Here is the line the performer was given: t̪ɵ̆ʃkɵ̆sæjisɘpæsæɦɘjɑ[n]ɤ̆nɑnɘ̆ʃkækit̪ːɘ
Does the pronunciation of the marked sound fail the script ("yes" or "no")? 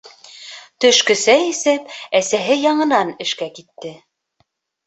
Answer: yes